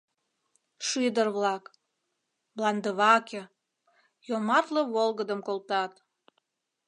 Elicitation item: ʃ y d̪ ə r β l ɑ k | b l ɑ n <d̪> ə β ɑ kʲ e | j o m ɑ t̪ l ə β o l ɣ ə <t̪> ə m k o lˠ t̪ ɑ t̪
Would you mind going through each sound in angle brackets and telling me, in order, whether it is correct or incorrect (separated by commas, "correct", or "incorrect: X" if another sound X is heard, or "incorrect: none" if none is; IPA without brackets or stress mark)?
correct, incorrect: d̪